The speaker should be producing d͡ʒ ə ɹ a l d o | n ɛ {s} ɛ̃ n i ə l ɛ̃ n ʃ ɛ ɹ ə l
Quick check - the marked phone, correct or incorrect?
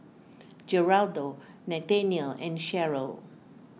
incorrect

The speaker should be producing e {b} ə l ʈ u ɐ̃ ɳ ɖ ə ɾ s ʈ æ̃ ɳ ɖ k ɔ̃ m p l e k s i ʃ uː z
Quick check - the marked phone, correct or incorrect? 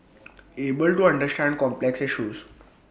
correct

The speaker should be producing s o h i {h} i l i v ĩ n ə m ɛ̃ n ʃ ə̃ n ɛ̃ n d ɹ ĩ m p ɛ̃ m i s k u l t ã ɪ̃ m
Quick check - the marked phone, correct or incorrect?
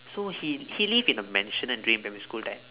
correct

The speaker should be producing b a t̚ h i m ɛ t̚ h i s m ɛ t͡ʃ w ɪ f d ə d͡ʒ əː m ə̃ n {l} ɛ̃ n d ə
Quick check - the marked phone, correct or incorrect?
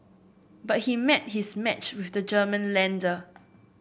correct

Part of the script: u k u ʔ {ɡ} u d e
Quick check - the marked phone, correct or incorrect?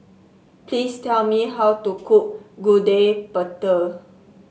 correct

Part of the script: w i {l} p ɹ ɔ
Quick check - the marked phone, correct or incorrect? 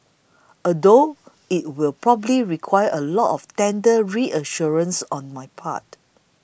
correct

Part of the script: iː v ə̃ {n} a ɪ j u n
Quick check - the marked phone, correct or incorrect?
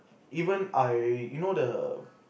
correct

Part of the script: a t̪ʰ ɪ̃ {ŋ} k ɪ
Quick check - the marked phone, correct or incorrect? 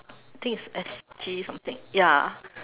correct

